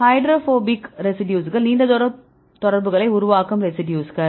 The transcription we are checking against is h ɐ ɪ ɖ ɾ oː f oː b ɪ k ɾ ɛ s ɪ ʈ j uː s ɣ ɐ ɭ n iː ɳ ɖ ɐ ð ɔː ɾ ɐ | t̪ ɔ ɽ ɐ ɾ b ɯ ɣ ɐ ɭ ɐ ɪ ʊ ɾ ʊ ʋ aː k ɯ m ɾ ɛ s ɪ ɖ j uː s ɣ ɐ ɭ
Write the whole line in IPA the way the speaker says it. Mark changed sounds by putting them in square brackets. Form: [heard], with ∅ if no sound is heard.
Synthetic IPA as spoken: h ɐ ɪ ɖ ɾ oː f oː b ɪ k ɾ ɛ s ɪ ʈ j uː s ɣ ɐ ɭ n iː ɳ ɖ ɐ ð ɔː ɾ ɐ | t̪ ɔ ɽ ɐ ɾ b ɯ ɣ ɐ ɭ ɐ ɪ ʊ ɾ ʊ ʋ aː k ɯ m ɾ ɛ s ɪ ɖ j uː s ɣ ɐ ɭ